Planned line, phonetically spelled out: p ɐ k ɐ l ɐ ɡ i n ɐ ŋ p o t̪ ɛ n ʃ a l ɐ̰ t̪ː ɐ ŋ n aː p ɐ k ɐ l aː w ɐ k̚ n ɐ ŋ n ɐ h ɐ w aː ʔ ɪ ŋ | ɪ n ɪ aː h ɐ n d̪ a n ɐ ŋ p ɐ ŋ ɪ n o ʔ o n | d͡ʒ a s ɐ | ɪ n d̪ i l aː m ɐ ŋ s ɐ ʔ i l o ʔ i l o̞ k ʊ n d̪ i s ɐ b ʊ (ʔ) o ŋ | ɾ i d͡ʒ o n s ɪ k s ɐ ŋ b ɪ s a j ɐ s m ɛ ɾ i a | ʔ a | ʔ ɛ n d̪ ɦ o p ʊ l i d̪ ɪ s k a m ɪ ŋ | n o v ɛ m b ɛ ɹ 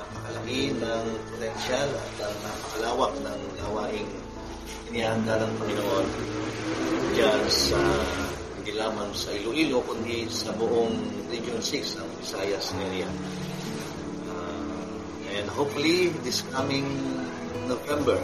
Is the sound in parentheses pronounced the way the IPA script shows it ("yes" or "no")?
yes